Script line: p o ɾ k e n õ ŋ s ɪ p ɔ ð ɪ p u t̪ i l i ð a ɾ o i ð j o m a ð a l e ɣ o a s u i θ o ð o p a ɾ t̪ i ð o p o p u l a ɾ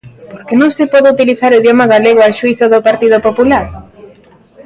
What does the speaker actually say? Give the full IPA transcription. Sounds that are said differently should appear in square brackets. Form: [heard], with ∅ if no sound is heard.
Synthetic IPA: p o ɾ k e n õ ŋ s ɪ p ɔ ð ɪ [∅] u t̪ i l i [θ] a ɾ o i ð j o m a [ɣ] a l e ɣ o a [ʃ] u i θ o ð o p a ɾ t̪ i ð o p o p u l a ɾ